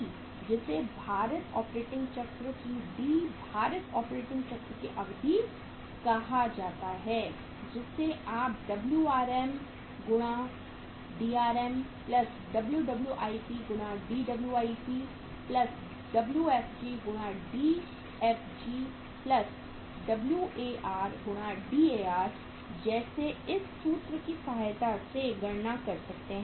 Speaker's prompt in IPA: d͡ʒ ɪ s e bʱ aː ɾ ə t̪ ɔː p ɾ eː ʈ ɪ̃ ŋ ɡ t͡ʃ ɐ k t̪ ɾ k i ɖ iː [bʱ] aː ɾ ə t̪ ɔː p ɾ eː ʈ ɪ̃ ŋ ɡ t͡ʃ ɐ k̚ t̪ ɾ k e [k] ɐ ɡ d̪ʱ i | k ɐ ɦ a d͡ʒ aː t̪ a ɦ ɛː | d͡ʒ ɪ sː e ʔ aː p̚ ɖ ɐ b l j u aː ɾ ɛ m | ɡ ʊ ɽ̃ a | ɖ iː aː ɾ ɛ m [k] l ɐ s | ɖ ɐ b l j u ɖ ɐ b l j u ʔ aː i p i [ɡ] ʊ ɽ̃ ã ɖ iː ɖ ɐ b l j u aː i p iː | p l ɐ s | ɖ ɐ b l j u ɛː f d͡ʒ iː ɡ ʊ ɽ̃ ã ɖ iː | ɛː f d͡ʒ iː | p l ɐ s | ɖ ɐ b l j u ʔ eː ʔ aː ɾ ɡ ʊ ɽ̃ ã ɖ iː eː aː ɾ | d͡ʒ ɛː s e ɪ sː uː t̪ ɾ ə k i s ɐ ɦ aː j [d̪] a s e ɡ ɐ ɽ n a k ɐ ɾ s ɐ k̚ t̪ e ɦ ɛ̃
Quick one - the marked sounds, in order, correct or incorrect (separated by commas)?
correct, incorrect, incorrect, correct, incorrect